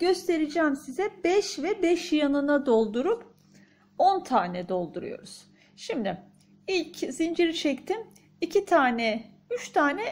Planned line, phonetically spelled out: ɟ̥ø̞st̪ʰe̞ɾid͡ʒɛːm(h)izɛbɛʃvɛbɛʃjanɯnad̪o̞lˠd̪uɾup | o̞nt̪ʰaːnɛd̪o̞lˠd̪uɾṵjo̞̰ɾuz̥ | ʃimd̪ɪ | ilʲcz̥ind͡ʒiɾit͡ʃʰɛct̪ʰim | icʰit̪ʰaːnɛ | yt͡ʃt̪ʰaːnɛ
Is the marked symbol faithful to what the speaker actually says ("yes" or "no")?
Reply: no